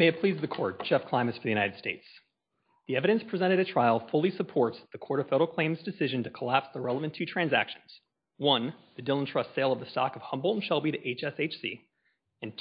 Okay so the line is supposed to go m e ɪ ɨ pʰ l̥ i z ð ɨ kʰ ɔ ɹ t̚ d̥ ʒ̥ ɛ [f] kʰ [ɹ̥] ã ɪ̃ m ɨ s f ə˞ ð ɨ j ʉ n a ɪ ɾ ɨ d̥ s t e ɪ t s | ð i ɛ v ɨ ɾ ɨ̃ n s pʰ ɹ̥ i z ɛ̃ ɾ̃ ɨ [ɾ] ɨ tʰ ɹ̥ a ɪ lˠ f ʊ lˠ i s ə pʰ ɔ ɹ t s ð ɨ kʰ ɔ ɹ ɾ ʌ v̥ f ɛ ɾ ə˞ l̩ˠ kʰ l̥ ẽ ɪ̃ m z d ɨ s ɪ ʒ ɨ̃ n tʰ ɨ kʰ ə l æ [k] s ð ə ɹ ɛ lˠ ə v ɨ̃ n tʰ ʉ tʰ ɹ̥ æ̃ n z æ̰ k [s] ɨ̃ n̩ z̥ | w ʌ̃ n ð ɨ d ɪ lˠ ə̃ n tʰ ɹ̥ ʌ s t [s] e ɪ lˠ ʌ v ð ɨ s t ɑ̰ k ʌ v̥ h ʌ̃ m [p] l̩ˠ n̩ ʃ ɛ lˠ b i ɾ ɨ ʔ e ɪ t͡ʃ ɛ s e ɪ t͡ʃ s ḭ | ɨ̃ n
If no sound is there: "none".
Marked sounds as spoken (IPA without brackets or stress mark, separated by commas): f, l̥, ɾ, p, ʃ, s, b